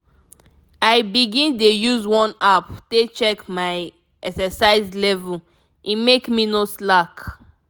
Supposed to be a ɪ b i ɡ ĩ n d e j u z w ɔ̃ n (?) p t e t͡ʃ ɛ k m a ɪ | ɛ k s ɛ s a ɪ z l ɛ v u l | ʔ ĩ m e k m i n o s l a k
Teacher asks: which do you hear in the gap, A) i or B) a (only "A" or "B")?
B